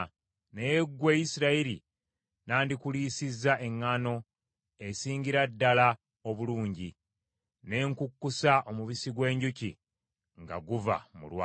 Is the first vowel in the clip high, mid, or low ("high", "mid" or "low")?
mid